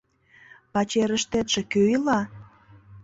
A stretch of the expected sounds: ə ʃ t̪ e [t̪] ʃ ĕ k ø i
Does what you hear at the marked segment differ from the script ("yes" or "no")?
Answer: no